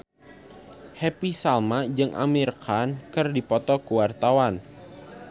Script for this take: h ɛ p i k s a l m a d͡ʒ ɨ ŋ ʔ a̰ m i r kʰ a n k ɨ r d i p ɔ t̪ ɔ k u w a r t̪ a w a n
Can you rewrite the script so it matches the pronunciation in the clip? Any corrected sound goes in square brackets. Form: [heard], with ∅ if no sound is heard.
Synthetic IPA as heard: h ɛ p i [∅] s a l m a d͡ʒ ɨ ŋ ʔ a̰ m i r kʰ a n k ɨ r d i p ɔ t̪ ɔ k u w a r t̪ a w a n